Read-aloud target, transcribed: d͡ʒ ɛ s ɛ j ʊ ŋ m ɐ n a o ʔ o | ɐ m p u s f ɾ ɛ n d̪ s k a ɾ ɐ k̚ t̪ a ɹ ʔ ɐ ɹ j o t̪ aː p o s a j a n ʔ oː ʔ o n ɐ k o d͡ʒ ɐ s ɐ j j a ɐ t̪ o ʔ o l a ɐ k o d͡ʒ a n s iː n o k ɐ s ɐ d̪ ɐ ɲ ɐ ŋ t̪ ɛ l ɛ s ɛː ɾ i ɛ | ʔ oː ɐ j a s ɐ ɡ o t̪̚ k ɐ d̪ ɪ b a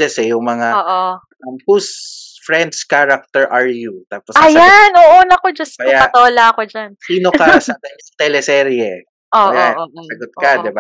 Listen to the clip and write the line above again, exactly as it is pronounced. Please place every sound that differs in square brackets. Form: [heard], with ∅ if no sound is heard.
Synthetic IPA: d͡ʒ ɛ s ɛ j ʊ ŋ m ɐ [ŋ] a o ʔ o | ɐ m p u s f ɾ ɛ n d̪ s k a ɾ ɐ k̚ t̪ [ɛ] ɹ ʔ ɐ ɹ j [u] t̪ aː p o s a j a n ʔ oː ʔ o n ɐ k o d͡ʒ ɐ s ɐ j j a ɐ t̪ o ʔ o l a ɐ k o d͡ʒ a n s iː n o k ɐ s ɐ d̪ ɐ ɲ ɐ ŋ t̪ ɛ l ɛ s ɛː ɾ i ɛ | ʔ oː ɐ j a s ɐ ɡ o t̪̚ k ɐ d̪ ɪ b a